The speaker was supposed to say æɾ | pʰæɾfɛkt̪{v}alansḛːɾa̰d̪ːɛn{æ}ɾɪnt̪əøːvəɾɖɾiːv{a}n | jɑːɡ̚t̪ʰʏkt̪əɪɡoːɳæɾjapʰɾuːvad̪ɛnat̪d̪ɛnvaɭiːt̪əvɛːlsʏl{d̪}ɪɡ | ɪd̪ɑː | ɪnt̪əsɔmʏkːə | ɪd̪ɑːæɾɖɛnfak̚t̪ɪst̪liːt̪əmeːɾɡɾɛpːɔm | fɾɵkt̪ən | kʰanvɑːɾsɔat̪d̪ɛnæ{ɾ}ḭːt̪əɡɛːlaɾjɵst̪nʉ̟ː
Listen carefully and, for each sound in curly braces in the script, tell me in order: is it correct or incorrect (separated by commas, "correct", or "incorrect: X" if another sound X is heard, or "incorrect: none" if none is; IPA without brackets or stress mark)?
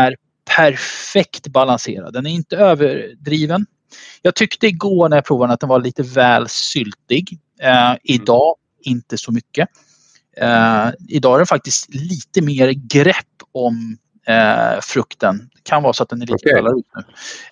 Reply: incorrect: b, correct, incorrect: ə, incorrect: t̪, incorrect: ɭ